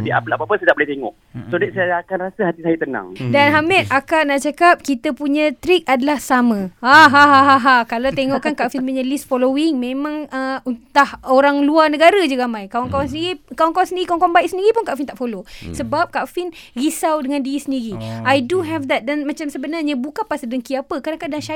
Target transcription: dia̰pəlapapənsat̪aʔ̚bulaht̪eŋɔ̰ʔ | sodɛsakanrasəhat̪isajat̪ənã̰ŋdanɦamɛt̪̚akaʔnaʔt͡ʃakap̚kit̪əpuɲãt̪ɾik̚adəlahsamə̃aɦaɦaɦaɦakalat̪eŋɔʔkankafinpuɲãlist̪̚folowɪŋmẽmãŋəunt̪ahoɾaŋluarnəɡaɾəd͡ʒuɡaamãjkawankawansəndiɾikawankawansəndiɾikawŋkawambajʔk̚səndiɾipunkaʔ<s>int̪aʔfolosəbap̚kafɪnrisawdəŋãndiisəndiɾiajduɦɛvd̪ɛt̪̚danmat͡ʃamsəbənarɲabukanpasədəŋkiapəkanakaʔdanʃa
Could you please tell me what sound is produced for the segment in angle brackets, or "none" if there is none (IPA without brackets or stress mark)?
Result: f